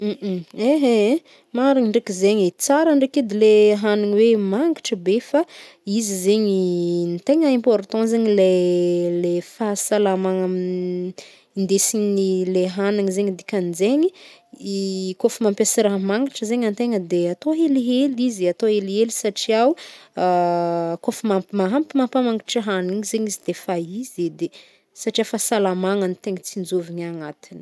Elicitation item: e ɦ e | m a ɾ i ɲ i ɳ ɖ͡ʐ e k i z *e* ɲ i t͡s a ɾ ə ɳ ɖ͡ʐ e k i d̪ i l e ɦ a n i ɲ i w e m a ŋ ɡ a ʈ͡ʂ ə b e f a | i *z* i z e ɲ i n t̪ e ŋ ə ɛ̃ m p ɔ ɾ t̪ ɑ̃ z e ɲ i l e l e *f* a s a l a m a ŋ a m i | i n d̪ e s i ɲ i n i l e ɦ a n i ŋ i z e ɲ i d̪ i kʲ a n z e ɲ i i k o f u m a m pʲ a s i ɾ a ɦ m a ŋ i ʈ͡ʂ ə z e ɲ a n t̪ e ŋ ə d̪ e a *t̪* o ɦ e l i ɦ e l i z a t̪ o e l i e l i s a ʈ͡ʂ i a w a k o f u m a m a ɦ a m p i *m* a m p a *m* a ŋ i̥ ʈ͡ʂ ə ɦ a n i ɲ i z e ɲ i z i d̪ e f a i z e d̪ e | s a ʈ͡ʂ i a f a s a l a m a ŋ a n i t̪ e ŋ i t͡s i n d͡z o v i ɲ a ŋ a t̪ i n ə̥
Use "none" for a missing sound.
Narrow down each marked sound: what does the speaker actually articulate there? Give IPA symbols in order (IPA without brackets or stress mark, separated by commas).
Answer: e, z, f, t̪, m, m